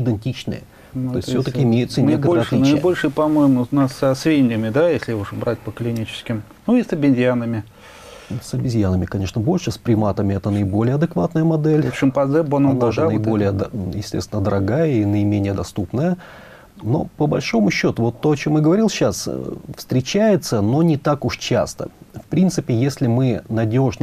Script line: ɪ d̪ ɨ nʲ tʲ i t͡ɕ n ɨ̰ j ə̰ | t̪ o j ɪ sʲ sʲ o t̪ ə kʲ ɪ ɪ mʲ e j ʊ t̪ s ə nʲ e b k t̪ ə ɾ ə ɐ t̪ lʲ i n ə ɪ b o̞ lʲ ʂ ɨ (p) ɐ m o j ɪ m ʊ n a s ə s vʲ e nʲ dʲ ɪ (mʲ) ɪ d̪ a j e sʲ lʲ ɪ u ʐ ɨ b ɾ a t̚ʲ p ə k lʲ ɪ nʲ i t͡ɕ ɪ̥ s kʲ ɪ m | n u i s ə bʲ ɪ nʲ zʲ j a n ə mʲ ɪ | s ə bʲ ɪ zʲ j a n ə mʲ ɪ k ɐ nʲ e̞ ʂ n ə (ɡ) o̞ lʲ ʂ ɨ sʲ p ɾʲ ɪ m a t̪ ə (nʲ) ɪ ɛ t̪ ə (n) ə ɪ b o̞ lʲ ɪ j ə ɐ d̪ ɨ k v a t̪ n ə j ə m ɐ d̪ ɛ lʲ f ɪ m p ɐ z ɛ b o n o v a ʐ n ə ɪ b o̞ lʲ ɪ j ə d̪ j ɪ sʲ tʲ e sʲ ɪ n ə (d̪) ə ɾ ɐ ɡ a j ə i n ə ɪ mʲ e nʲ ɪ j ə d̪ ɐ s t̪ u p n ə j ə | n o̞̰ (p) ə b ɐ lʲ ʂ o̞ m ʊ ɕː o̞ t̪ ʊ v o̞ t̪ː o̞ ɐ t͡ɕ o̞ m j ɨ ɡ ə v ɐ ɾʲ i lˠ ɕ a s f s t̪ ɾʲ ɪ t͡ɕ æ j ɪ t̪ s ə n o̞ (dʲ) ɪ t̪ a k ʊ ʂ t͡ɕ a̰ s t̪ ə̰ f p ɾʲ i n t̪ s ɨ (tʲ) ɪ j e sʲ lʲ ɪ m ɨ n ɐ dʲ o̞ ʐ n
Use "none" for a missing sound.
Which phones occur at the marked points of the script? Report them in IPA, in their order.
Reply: p, mʲ, b, mʲ, n, d̪, p, nʲ, pʲ

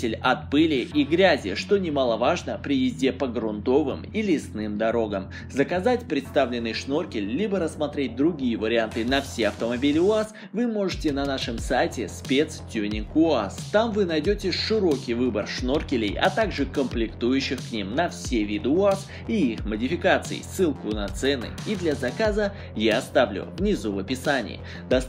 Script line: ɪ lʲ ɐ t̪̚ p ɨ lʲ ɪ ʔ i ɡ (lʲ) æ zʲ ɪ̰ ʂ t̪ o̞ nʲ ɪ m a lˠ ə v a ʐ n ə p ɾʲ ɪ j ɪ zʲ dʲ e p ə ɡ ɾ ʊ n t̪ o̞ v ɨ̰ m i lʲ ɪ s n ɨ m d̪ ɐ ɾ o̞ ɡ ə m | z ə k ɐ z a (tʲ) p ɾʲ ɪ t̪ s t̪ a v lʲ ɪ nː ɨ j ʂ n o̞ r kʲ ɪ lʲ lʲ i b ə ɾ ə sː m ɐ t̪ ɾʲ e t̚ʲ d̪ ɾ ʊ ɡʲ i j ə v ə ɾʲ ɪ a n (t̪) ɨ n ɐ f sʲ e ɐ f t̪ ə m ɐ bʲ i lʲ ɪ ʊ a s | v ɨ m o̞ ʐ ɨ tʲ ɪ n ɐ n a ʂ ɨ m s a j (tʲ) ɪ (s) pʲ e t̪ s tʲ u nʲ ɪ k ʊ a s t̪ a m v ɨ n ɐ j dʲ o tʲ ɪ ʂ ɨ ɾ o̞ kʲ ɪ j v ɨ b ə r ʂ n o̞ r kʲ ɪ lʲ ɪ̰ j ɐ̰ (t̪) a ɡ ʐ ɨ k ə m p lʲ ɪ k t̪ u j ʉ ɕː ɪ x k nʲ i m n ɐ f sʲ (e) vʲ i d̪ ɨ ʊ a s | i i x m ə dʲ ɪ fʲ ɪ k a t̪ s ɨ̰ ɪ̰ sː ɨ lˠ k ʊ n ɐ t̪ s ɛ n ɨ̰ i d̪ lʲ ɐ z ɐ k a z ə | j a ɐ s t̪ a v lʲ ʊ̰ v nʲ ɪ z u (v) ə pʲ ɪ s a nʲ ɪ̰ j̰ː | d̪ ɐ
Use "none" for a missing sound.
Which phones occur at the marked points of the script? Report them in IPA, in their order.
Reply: ɾʲ, tʲ, t̪, tʲ, s, t̪, e, v

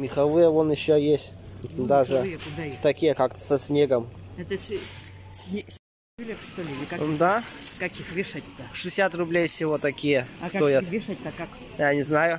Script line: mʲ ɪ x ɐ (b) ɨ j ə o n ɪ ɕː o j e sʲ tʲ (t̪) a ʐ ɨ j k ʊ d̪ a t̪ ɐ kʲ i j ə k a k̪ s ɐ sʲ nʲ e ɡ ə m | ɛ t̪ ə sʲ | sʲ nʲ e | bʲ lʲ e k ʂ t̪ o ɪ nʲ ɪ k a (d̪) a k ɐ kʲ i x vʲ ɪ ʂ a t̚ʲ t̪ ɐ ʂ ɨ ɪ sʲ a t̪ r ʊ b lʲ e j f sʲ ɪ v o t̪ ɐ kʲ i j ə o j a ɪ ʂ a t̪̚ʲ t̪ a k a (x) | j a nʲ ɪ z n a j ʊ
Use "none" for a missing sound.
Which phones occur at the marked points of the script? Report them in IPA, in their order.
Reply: v, d̪, d̪, k

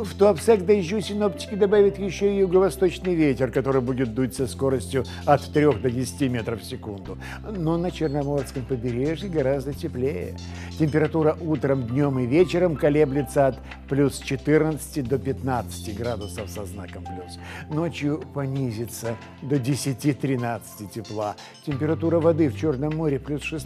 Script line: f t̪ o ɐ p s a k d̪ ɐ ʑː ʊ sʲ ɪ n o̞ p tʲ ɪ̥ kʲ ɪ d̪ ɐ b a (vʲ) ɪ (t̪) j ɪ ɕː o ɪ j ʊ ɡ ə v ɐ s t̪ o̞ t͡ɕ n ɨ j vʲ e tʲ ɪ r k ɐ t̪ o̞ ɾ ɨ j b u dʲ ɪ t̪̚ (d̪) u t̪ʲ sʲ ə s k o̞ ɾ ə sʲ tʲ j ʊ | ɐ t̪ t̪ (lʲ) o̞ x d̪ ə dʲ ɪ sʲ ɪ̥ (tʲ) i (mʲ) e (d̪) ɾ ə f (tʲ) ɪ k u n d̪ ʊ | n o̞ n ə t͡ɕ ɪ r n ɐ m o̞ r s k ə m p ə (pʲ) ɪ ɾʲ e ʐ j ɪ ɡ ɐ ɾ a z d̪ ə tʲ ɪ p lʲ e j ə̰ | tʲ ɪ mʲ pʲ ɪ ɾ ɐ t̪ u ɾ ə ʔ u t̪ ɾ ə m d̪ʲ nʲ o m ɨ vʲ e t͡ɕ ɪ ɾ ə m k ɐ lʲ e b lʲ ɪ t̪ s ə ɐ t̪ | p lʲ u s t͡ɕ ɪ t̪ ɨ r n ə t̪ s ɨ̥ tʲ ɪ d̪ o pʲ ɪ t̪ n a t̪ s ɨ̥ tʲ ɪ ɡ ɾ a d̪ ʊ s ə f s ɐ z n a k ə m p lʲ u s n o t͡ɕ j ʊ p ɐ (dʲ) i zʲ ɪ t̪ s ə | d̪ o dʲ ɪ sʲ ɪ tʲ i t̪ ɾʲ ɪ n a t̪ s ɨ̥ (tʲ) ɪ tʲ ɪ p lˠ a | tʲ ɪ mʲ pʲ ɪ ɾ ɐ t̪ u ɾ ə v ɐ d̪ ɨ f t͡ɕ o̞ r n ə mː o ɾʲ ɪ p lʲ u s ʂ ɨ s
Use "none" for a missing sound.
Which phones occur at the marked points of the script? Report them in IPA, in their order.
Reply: vʲ, t̪, d̪, ɾʲ, tʲ, mʲ, t̪, sʲ, bʲ, nʲ, tʲ

